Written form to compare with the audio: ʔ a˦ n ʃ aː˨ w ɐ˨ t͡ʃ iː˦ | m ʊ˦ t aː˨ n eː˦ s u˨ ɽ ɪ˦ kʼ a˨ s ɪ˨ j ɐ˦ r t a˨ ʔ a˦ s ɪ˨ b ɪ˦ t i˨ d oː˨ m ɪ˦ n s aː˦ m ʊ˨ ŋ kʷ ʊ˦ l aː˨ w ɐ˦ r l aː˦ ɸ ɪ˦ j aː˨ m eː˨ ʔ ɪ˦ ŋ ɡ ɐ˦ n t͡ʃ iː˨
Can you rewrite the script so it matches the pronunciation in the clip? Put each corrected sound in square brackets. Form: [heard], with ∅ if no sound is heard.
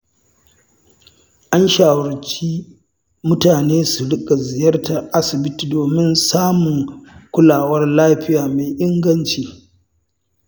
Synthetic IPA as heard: ʔ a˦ n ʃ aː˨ w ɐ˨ t͡ʃ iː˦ | m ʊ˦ t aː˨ n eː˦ s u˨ ɽ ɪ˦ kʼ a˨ [z] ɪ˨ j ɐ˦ r t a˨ ʔ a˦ s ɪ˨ b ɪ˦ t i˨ d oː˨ m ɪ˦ n s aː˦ m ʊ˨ ŋ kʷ ʊ˦ l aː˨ w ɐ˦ r l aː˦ ɸ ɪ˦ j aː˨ m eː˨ ʔ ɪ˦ ŋ ɡ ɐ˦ n t͡ʃ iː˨